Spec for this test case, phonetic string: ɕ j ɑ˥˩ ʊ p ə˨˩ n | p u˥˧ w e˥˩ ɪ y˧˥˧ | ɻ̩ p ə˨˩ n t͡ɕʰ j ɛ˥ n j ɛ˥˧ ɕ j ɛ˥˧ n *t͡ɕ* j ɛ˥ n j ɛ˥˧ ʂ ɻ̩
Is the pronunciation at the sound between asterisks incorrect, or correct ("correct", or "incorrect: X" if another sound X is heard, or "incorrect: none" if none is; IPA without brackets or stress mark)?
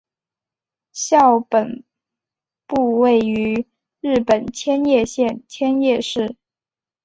incorrect: t͡ɕʰ